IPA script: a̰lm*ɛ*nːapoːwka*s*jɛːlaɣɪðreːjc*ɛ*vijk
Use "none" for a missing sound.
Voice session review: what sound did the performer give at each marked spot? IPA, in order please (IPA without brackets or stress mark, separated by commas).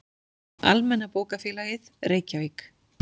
ɛ, f, a